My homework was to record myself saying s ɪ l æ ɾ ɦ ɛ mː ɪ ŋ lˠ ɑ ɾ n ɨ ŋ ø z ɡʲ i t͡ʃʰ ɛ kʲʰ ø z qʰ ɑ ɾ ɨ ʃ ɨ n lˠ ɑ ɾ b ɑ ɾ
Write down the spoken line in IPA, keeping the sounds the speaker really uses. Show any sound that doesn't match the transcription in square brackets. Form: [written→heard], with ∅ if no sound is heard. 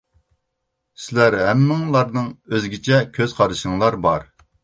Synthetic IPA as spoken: s ɪ l æ ɾ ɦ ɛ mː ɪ ŋ lˠ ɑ ɾ n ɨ ŋ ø z ɡʲ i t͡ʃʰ ɛ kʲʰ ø z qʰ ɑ ɾ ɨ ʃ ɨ [n→ŋ] lˠ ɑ ɾ b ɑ ɾ

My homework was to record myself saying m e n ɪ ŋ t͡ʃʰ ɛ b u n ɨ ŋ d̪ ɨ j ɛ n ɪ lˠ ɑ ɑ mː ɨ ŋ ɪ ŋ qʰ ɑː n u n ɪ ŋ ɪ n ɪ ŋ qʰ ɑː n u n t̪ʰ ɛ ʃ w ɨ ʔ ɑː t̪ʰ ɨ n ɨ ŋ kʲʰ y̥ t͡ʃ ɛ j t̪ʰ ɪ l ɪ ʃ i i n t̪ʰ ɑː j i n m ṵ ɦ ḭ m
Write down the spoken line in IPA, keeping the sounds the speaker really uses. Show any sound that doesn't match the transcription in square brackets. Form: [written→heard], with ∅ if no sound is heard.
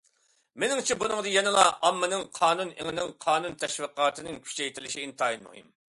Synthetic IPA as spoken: m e n ɪ ŋ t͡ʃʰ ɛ b u n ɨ ŋ d̪ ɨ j ɛ n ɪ lˠ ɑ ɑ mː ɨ [ŋ→n] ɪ ŋ qʰ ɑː n u n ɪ ŋ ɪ n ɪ ŋ qʰ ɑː n u n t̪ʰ ɛ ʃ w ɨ [ʔ→q] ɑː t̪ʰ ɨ n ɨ ŋ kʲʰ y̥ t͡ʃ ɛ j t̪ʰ ɪ l ɪ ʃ i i n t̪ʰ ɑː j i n m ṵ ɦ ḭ m

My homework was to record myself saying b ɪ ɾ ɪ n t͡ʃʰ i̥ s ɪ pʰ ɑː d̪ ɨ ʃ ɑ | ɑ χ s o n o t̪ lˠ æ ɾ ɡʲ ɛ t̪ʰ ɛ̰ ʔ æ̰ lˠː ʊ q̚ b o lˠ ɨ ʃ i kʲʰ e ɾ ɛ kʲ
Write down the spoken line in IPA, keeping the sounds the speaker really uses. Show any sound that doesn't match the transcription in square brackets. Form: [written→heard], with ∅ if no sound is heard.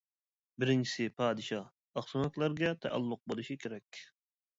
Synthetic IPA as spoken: b ɪ ɾ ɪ n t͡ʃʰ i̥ s ɪ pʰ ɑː d̪ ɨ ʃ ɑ | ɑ χ s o n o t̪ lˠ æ ɾ ɡʲ ɛ t̪ʰ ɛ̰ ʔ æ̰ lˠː ʊ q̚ b o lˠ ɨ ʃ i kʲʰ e ɾ ɛ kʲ

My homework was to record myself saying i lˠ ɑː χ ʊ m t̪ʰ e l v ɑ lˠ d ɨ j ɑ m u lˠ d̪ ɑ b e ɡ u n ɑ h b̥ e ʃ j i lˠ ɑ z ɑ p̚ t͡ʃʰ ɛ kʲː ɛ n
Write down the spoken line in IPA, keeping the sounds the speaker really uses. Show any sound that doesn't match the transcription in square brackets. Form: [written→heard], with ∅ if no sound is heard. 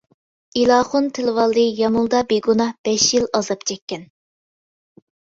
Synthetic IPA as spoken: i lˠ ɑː χ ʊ [m→n] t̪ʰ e l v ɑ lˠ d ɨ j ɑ m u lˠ d̪ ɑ b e ɡ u n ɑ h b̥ [e→ɛ] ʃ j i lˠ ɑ z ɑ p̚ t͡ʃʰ ɛ kʲː ɛ n

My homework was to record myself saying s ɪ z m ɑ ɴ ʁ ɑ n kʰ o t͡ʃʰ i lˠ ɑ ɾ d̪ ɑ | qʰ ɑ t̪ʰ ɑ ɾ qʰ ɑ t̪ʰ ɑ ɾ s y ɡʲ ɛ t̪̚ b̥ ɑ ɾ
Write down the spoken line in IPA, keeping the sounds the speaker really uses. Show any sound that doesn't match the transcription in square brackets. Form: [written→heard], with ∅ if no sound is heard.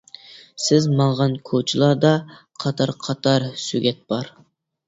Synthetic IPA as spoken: s ɪ z m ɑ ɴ ʁ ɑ n kʰ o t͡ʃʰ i lˠ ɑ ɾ d̪ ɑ | qʰ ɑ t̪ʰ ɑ ɾ qʰ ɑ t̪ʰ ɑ ɾ s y ɡʲ ɛ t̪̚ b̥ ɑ ɾ

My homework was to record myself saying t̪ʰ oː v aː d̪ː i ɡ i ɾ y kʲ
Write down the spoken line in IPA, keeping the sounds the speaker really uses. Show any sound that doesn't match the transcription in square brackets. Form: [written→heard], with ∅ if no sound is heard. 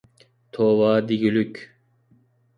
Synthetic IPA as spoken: t̪ʰ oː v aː [d̪ː→d̪] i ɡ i [ɾ→l] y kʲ

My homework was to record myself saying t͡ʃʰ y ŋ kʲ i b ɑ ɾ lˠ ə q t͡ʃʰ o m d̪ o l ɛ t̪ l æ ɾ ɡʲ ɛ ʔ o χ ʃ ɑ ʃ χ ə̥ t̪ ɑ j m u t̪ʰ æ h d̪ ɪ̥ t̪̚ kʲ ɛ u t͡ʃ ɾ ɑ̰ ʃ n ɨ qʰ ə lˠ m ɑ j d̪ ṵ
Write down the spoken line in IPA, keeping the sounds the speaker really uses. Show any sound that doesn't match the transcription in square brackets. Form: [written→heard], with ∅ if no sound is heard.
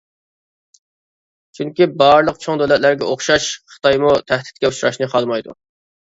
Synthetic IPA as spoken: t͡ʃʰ y ŋ kʲ i b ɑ ɾ lˠ ə q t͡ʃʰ o [m→ŋ] d̪ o l ɛ t̪ l æ ɾ ɡʲ ɛ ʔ o χ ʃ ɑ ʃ χ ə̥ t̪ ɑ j m u t̪ʰ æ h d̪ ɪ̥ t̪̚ kʲ ɛ u t͡ʃ ɾ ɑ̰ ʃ n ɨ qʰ [ə→ɑ] lˠ m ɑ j d̪ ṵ

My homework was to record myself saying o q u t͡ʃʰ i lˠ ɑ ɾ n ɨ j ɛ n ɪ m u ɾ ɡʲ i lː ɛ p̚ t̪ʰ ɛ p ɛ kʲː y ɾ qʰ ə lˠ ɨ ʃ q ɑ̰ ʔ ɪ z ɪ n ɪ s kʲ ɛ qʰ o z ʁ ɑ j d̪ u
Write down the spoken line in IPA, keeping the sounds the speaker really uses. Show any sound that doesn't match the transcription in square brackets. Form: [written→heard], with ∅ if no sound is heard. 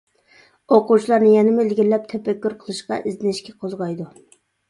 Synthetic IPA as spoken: o q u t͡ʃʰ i lˠ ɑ ɾ n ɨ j ɛ n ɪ m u [ɾ→l] ɡʲ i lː ɛ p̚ t̪ʰ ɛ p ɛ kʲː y ɾ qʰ ə lˠ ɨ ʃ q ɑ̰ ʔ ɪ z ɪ n ɪ [s→ʃ] kʲ ɛ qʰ o z ʁ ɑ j d̪ u

